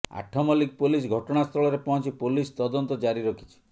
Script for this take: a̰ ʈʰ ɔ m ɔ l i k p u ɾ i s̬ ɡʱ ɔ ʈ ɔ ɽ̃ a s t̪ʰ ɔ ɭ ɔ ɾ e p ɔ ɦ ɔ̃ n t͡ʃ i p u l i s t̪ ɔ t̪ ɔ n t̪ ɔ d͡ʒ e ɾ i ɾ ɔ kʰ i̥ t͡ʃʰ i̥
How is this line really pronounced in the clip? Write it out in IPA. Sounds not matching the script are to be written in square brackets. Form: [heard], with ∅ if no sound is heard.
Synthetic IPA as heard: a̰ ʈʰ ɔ m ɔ l i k p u [l] i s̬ ɡʱ ɔ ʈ ɔ ɽ̃ a s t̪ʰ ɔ ɭ ɔ ɾ e p ɔ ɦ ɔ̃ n t͡ʃ i p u l i s t̪ ɔ [d̪] ɔ n t̪ ɔ d͡ʒ [a] ɾ i ɾ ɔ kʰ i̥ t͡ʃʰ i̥